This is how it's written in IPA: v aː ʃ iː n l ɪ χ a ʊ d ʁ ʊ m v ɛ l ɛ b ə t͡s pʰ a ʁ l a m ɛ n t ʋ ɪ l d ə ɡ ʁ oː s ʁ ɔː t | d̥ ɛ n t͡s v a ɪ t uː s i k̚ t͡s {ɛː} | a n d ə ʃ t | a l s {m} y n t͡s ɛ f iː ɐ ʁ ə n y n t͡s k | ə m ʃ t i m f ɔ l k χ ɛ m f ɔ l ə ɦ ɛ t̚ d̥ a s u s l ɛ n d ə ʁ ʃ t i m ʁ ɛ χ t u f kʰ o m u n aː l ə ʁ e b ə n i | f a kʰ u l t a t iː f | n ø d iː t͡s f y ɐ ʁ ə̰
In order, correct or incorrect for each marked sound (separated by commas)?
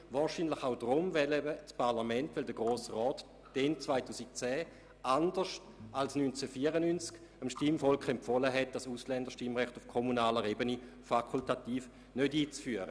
correct, incorrect